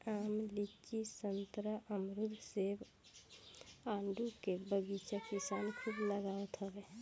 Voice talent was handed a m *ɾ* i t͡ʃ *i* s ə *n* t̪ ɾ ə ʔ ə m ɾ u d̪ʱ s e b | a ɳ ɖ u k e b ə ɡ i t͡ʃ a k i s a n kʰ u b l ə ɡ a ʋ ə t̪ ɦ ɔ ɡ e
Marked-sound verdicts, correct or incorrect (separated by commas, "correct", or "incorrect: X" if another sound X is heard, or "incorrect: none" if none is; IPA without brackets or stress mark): incorrect: l, correct, correct